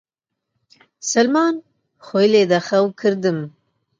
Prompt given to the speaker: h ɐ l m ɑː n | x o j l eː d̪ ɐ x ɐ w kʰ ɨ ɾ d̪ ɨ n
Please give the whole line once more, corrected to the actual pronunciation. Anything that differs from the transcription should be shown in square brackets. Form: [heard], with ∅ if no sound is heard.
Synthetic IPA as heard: [s] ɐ l m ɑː n | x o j l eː d̪ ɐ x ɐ w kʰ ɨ ɾ d̪ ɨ [m]